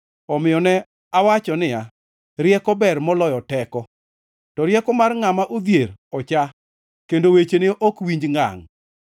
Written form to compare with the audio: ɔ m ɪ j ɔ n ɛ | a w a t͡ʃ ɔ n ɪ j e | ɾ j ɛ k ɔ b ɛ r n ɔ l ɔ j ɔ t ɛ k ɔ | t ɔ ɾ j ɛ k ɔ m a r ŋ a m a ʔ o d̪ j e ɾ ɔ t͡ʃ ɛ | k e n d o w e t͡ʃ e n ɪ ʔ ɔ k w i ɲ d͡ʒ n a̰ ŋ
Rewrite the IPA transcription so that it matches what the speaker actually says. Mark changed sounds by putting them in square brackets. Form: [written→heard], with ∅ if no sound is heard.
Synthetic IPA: ɔ m ɪ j ɔ n ɛ | a w a t͡ʃ ɔ n ɪ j [e→a] | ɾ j ɛ k ɔ b ɛ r [n→m] ɔ l ɔ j ɔ t ɛ k ɔ | t ɔ ɾ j ɛ k ɔ m a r ŋ a m a ʔ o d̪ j e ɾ ɔ t͡ʃ [ɛ→a] | k e n d o w e t͡ʃ e n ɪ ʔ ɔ k w i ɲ d͡ʒ [n→ŋ] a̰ ŋ